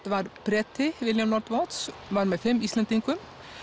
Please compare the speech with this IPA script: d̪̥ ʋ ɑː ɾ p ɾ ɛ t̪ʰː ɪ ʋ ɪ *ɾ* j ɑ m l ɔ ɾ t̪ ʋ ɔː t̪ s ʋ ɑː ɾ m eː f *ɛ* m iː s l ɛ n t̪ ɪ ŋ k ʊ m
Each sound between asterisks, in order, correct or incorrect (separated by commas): incorrect, correct